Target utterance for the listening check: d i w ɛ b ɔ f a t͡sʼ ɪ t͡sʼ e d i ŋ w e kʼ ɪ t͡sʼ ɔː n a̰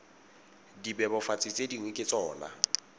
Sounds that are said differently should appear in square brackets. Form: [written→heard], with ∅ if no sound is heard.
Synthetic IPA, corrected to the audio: d i [w→b] ɛ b ɔ f a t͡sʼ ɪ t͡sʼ e d i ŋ w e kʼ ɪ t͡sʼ ɔː n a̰